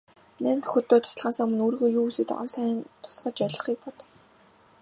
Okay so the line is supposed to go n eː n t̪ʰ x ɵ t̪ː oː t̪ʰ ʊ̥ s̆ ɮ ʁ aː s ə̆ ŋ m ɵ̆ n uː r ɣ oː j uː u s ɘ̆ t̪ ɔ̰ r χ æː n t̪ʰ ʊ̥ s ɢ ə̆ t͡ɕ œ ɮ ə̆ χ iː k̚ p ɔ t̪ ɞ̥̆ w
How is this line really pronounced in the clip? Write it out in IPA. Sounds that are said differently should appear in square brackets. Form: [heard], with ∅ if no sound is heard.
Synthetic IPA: n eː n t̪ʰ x ɵ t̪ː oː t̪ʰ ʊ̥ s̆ ɮ ʁ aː s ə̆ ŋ m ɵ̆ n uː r ɣ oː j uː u s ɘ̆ t̪ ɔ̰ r [s] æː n t̪ʰ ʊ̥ s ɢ ə̆ t͡ɕ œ ɮ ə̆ χ iː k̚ p ɔ t̪ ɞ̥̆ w